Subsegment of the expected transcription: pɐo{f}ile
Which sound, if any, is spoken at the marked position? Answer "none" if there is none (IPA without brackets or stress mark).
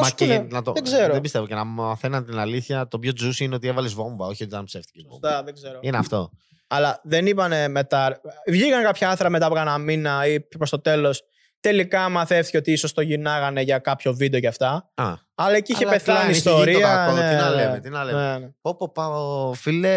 f